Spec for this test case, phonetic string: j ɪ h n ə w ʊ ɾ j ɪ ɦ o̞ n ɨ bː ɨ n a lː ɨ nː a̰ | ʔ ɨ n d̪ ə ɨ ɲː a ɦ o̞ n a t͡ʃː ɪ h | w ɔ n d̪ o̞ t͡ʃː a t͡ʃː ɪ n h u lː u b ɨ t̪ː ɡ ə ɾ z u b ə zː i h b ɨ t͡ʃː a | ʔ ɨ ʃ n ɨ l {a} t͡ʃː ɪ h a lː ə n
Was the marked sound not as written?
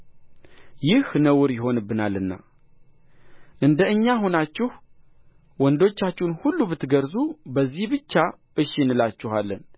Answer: no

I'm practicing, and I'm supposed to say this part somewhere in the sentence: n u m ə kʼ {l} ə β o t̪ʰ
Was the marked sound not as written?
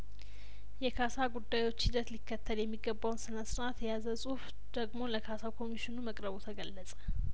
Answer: yes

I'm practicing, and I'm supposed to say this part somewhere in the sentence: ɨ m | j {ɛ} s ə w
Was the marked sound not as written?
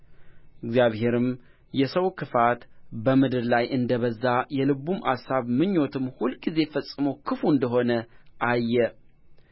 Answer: no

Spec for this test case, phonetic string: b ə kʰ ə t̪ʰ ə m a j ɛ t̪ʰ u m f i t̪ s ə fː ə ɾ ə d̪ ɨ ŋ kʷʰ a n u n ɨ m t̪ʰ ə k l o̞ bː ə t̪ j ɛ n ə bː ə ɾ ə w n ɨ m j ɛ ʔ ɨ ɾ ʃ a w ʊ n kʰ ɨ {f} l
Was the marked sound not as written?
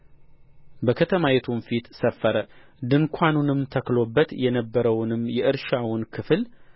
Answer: no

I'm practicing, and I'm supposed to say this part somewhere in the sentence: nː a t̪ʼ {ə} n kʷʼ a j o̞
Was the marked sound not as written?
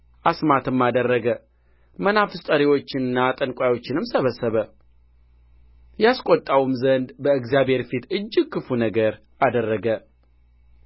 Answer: no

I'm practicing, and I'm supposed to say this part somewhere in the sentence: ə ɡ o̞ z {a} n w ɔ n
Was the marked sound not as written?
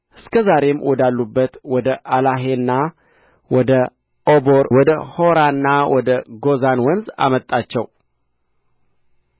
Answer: no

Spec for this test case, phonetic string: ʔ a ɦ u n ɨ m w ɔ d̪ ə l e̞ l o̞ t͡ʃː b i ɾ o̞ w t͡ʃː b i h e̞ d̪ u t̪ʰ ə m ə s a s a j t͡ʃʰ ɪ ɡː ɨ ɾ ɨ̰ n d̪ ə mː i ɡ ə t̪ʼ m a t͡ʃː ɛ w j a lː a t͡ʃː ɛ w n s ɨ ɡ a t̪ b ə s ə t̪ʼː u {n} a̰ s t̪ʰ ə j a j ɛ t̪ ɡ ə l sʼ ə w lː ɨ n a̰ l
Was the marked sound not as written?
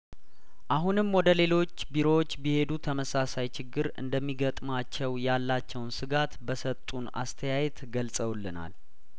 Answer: no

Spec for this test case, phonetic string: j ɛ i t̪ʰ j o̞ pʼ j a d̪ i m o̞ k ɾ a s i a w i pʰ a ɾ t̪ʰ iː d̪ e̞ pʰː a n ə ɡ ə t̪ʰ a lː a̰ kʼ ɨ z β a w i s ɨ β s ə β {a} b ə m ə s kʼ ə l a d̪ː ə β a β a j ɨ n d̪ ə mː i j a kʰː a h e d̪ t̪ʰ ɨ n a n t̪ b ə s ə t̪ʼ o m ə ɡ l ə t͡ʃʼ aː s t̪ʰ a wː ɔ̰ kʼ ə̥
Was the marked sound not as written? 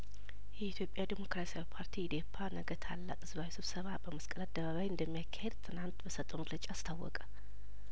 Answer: no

